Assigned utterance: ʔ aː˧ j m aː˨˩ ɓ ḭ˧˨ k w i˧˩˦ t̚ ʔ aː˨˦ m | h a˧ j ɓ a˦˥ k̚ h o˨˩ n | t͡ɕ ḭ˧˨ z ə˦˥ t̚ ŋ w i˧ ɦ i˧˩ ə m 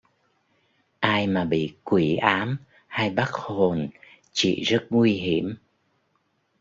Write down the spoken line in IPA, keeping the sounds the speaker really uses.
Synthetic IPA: ʔ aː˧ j m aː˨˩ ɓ ḭ˧˨ k w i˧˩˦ ʔ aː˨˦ m | h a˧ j ɓ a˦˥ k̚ h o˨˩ n | t͡ɕ ḭ˧˨ z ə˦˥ t̚ ŋ w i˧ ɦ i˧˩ ə m